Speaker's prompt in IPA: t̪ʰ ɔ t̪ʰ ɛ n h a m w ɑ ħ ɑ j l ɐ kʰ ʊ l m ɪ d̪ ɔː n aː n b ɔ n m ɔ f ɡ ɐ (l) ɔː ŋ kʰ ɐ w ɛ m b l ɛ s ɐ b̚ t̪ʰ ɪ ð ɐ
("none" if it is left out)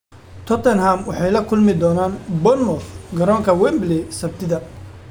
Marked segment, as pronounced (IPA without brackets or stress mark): ɾ